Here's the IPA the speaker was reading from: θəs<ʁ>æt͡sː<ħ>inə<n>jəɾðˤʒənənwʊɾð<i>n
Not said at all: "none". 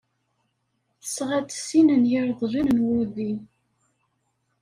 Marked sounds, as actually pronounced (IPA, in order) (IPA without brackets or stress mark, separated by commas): ʁ, s, n, i